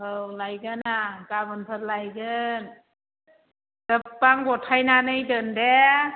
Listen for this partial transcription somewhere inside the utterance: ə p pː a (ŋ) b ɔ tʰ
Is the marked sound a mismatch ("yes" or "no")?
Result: no